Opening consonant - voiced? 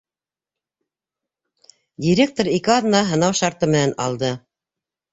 yes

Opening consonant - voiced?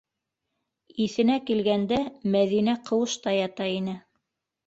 no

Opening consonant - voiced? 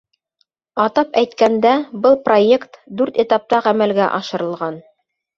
no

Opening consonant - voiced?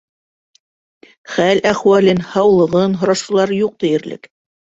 no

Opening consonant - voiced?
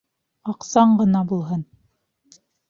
no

